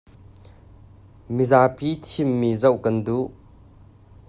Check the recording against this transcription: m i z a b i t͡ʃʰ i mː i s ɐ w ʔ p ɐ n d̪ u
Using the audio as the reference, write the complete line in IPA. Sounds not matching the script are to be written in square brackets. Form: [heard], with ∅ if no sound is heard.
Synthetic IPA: m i z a [p] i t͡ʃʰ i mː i [z] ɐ w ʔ [k] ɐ n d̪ u